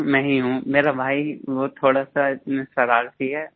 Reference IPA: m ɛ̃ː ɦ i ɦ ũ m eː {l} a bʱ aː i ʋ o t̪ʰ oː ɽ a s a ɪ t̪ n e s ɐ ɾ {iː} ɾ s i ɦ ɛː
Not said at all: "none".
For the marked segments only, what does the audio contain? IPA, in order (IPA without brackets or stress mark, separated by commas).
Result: ɾ, aː